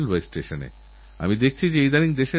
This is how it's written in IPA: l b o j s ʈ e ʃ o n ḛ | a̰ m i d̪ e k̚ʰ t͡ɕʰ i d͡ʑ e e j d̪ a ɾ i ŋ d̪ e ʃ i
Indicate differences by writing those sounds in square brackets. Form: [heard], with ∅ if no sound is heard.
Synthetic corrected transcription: l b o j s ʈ e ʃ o n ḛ | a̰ m i d̪ e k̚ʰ t͡ɕʰ i d͡ʑ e e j d̪ a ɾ i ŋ d̪ e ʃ [e]